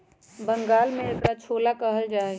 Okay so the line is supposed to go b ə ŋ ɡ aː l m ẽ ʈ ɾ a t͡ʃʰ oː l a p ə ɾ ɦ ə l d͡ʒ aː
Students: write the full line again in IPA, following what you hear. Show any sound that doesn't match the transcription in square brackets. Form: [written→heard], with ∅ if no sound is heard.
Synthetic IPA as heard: b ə ŋ ɡ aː l m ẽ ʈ ɾ a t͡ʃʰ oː l a [p→k] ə [ɾ→∅] ɦ ə l d͡ʒ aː

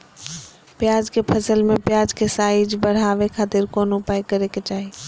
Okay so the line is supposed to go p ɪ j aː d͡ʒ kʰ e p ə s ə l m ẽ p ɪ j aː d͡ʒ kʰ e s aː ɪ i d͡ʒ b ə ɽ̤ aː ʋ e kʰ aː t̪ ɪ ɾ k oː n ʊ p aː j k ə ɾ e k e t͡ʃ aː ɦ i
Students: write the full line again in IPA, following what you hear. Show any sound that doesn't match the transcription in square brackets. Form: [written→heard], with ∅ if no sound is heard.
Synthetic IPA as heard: p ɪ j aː d͡ʒ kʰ e [p→pʰ] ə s ə l m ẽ p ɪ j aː d͡ʒ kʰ e s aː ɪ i d͡ʒ b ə ɽ̤ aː ʋ e kʰ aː t̪ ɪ ɾ k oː n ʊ p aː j k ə ɾ e k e t͡ʃ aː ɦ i

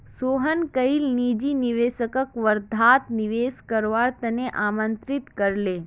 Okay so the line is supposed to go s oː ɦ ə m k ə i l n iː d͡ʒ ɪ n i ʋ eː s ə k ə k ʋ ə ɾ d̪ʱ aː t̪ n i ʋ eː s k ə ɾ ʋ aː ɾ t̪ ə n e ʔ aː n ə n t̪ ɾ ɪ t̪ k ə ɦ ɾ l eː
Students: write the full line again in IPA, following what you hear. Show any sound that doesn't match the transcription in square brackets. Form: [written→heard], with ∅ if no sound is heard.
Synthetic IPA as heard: s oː ɦ ə [m→n] k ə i l n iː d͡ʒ [ɪ→i] n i ʋ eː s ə k ə k ʋ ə ɾ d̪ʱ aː t̪ n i ʋ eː s k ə ɾ ʋ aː ɾ t̪ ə n e ʔ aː [n→m] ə n t̪ ɾ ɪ t̪ k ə [ɦ→∅] ɾ l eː

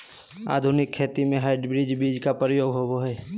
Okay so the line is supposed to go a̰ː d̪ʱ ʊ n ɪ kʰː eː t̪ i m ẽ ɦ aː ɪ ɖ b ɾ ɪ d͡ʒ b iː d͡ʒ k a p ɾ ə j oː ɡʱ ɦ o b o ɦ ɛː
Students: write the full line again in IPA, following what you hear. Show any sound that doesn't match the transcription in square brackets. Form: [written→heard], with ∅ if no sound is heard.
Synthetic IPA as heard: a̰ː d̪ʱ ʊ n ɪ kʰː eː t̪ i m ẽ ɦ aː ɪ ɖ b ɾ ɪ d͡ʒ b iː d͡ʒ k a p ɾ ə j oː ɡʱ ɦ o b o ɦ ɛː

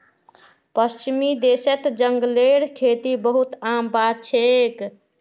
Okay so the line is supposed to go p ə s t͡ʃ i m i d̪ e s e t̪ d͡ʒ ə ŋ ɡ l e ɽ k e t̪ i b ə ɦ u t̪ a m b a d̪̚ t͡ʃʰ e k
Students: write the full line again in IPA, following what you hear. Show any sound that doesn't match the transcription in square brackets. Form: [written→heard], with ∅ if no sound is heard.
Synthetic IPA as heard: p ə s t͡ʃ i m i d̪ e s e t̪ d͡ʒ ə ŋ ɡ l e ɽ [k→kʰ] e t̪ i b ə ɦ u t̪ a m b a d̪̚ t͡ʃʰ e k

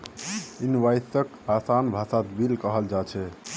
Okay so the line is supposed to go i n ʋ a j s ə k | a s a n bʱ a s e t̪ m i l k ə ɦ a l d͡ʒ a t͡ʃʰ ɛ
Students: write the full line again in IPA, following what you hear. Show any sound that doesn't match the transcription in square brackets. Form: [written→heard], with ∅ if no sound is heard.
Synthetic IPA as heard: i n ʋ a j s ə k | a s a n bʱ a s [e→a] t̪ [m→b] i l k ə ɦ [a→ə] l d͡ʒ a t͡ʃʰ ɛ

